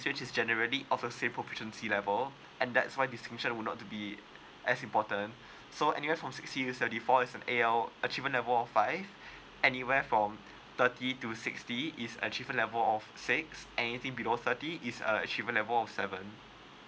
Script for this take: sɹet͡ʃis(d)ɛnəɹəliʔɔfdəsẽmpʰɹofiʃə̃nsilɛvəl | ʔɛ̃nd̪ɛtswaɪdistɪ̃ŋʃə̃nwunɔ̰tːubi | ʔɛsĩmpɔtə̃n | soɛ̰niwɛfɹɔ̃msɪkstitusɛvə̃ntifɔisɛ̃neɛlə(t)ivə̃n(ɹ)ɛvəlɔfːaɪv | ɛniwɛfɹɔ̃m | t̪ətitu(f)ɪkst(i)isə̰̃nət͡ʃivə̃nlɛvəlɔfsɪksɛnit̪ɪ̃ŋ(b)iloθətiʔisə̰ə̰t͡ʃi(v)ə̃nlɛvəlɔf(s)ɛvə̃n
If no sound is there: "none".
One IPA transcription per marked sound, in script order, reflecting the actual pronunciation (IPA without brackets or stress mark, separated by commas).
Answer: d͡ʒ, t͡ʃ, l, s, i, b, v, s